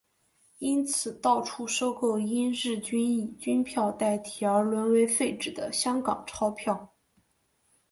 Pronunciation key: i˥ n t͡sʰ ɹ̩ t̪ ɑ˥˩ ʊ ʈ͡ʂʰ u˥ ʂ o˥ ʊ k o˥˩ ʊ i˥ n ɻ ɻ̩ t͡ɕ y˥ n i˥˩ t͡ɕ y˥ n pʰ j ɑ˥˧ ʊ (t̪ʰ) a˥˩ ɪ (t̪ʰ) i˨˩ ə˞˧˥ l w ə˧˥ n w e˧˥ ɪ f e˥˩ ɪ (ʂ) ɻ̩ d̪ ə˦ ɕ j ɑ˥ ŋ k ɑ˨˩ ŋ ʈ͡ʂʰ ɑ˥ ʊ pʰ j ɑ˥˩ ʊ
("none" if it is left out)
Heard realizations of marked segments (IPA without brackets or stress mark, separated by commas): t̪, t̪ʰ, ʈ͡ʂ